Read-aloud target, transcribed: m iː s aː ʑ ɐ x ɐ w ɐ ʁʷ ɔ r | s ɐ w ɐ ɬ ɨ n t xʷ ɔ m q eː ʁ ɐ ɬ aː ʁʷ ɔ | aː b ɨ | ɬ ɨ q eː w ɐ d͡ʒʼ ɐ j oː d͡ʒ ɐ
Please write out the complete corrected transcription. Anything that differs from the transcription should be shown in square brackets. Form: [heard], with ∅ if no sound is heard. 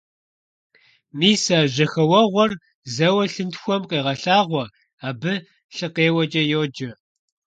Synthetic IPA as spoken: m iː s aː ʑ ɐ x ɐ w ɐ ʁʷ ɔ r | [z] ɐ w ɐ ɬ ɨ n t xʷ ɔ m q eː ʁ ɐ ɬ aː ʁʷ ɔ | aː b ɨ | ɬ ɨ q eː w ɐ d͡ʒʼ ɐ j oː d͡ʒ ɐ